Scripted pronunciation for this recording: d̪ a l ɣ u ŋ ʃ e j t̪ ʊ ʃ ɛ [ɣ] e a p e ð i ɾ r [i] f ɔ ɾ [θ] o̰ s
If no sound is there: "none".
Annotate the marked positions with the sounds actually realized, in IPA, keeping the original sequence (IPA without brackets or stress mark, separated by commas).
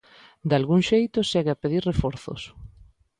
ɣ, e, θ